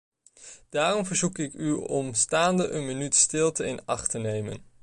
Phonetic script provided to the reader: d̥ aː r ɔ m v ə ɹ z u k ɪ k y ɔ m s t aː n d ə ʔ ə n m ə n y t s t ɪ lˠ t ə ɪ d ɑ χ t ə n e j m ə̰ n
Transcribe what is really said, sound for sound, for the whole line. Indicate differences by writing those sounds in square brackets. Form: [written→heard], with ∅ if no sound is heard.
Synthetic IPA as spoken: d̥ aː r ɔ m v ə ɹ z u k ɪ k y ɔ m s t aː n d ə ʔ ə n m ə n y t s t ɪ lˠ t ə ɪ [d→n] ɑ χ t ə n e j m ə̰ n